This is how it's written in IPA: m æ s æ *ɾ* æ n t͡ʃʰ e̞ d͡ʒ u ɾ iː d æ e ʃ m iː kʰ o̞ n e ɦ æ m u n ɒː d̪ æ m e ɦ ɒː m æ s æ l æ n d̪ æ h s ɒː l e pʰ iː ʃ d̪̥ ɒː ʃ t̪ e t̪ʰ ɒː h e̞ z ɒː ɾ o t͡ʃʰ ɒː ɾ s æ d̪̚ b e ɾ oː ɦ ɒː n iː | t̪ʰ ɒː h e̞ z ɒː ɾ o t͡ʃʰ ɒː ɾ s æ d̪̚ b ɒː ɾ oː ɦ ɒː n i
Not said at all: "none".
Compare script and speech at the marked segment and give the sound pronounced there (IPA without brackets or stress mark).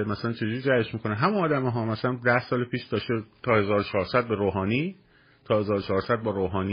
l